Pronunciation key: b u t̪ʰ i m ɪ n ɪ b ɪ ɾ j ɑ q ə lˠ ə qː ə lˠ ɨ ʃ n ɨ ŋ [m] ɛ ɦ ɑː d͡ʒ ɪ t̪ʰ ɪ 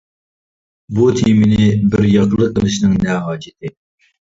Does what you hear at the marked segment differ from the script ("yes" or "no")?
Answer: yes